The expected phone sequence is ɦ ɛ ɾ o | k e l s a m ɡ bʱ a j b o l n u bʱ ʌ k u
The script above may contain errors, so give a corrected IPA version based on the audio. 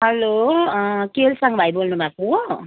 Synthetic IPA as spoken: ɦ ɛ l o | k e l s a ŋ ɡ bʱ a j b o l n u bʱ a k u